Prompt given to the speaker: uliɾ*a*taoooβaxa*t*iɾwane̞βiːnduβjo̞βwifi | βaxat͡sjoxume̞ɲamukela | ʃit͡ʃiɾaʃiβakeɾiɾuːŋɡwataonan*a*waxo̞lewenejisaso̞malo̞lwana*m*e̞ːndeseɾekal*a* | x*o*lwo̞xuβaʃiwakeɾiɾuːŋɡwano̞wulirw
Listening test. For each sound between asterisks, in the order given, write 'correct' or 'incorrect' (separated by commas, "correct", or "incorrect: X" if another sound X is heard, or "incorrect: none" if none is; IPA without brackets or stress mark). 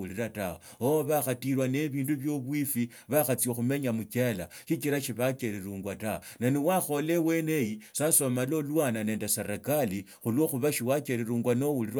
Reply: correct, correct, incorrect: i, incorrect: n, incorrect: i, incorrect: u